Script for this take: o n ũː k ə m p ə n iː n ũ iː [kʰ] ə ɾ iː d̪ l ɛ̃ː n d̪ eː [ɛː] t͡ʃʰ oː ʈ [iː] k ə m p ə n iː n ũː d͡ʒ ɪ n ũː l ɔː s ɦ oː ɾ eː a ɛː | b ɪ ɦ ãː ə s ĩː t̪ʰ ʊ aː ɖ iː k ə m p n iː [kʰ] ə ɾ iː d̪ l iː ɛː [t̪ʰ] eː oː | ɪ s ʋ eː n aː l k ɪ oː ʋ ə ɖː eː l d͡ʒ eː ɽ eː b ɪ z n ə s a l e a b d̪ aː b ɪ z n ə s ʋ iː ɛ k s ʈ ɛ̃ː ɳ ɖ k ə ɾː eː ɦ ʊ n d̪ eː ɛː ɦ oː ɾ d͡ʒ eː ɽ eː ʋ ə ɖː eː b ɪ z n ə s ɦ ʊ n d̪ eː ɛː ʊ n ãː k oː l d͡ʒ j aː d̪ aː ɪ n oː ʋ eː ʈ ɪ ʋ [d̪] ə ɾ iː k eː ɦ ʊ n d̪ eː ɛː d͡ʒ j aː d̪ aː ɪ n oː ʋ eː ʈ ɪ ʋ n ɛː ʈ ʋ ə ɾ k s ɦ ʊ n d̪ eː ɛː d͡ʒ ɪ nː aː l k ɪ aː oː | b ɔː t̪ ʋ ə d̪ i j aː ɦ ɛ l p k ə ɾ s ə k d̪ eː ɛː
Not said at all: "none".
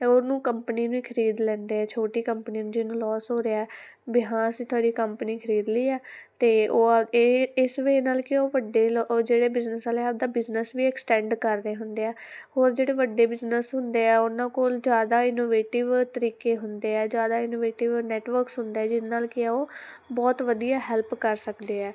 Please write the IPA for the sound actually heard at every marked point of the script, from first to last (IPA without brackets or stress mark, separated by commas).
kʰ, ɛː, iː, kʰ, t̪, t̪